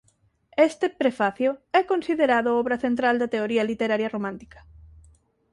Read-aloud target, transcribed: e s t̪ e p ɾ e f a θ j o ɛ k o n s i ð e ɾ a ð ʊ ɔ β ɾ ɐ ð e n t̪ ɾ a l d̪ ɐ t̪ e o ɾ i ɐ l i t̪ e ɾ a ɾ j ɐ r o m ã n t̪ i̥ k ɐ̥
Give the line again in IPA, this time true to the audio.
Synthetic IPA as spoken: e s t̪ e p ɾ e f a θ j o ɛ k o n s i ð e ɾ a ð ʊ ɔ β ɾ ɐ θ e n t̪ ɾ a l d̪ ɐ t̪ e o ɾ i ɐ l i t̪ e ɾ a ɾ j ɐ r o m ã n t̪ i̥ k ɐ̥